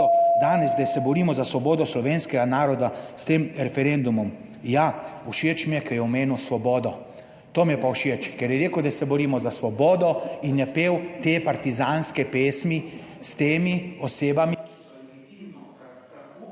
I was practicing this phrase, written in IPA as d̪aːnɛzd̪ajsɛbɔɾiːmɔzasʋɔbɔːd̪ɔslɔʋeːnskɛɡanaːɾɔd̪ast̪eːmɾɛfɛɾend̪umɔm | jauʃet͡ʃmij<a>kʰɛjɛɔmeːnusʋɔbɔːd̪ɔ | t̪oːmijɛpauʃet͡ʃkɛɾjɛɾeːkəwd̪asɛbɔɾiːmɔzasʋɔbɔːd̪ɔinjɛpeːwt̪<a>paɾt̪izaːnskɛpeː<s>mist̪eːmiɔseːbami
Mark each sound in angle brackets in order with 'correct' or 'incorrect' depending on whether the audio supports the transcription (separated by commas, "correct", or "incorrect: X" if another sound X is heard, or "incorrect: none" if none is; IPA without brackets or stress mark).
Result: incorrect: ɛ, incorrect: e, correct